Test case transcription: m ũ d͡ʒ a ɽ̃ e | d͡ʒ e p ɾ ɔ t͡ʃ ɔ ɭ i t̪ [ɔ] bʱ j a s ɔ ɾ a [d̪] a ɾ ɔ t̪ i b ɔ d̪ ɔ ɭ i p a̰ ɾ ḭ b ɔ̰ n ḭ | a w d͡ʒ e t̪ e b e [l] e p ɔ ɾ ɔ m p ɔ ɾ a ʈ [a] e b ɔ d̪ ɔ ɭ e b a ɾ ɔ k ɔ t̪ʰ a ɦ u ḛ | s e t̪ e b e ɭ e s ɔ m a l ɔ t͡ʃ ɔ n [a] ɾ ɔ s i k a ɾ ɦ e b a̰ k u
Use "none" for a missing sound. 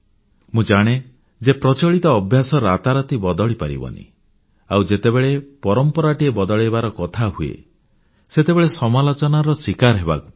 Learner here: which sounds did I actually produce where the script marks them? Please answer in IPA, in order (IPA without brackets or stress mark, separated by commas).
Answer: ɔː, t̪, ɭ, i, a